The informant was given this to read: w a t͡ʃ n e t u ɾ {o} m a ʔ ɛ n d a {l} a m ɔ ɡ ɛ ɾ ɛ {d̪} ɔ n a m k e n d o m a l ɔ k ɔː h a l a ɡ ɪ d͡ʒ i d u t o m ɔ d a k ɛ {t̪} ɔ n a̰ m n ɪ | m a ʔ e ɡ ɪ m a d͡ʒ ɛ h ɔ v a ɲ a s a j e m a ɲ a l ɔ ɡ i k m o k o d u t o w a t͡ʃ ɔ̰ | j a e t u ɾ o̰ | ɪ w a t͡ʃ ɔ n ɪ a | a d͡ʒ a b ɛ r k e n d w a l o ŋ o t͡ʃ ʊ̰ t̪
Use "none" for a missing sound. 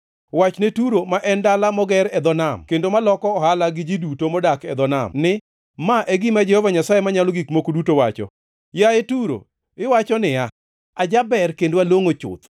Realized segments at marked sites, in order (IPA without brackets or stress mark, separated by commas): o, l, d̪, d̪